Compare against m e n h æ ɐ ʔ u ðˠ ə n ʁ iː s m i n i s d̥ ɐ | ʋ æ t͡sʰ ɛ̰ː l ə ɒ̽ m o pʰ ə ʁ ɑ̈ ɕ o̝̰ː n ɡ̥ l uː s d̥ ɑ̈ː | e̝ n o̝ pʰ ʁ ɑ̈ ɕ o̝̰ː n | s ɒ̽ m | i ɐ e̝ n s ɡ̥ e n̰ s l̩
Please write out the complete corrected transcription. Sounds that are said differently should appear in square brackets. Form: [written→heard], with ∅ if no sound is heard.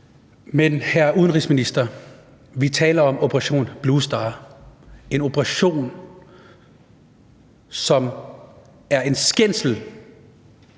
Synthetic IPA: m e n h æ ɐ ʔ u ðˠ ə n ʁ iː s m i n i s d̥ ɐ | ʋ [æ→i] t͡sʰ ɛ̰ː l [ə→ɐ] ɒ̽ m o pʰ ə ʁ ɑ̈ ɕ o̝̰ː n [ɡ̥→b̥] l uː s d̥ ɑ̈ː | e̝ n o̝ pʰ ʁ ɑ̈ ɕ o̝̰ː n | s ɒ̽ m | [i→æ] ɐ e̝ n s ɡ̥ e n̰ s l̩